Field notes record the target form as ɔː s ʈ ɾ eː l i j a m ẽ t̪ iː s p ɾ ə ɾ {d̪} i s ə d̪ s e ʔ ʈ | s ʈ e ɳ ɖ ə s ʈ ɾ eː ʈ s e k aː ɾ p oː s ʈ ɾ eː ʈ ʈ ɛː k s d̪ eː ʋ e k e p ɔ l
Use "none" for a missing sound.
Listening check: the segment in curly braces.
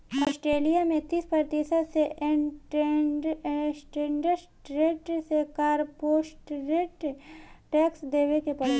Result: t̪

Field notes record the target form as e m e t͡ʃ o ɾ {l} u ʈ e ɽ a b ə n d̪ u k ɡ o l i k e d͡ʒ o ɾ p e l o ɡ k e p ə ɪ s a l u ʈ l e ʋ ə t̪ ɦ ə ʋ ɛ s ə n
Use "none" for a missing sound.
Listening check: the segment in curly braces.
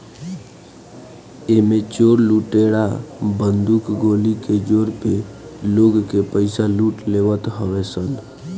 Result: l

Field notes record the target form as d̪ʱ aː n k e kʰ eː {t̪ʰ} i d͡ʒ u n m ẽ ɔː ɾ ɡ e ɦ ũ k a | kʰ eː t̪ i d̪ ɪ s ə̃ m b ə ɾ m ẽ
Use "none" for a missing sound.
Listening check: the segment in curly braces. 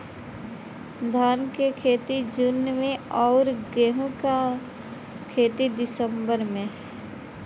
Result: t̪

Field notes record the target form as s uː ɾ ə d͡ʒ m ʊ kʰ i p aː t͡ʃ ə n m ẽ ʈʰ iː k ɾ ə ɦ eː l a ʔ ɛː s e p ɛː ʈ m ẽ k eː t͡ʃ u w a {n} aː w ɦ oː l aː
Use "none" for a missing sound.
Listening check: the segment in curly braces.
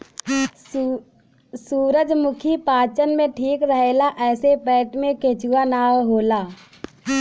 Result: n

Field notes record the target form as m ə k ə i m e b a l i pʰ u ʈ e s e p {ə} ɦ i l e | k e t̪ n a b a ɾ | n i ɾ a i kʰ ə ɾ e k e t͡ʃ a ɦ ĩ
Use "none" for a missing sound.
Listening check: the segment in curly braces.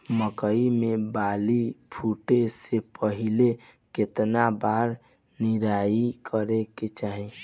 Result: ə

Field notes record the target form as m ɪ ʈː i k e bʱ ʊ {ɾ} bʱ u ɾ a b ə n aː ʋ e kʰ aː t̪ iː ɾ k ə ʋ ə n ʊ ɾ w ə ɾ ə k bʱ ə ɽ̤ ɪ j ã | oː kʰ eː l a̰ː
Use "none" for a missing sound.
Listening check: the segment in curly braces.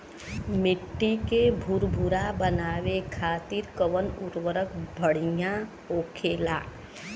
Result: ɾ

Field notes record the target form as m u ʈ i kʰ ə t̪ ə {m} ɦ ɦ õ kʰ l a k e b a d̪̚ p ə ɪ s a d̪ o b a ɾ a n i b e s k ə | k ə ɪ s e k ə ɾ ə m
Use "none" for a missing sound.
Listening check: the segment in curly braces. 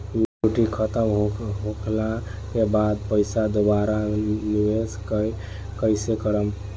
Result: m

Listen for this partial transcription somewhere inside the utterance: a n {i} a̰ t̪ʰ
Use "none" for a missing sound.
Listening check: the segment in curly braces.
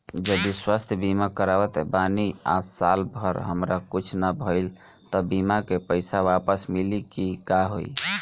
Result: i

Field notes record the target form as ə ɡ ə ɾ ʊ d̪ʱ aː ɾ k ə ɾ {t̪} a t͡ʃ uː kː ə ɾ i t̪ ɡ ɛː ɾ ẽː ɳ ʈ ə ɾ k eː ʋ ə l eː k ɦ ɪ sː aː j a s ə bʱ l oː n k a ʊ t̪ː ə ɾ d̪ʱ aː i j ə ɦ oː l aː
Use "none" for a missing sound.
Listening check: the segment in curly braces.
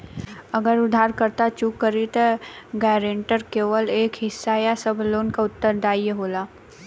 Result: t̪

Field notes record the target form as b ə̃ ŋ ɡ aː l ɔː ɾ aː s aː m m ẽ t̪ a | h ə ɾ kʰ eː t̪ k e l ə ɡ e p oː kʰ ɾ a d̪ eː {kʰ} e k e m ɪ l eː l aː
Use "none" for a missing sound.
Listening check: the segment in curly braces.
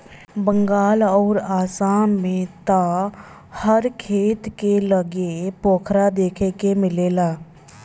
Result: kʰ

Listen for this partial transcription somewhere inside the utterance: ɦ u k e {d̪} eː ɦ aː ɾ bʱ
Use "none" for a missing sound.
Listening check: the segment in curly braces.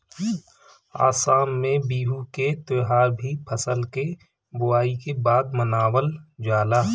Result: t̪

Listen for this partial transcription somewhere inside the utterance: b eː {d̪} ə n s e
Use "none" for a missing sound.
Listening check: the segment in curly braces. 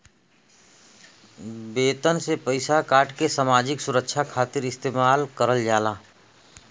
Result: t̪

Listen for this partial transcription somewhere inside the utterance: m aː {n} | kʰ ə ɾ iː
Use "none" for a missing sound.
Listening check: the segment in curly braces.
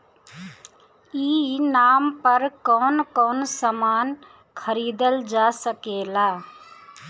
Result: n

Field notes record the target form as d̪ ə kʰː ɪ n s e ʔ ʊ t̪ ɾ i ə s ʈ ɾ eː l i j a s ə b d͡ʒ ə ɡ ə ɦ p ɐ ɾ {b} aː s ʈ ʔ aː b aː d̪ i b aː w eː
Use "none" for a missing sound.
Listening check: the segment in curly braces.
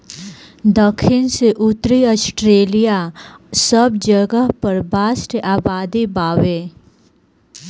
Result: b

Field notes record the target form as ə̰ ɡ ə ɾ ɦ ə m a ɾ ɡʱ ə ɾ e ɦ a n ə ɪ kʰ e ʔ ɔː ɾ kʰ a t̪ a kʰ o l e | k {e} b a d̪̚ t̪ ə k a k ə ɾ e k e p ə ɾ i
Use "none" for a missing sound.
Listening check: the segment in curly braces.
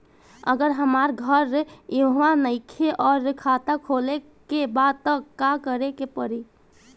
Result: e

